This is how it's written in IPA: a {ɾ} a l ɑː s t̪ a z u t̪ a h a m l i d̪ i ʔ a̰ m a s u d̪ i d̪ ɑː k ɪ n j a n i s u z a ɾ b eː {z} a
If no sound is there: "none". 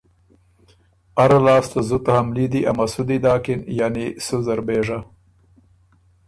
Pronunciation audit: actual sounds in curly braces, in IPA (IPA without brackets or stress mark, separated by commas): ɾ, ʐ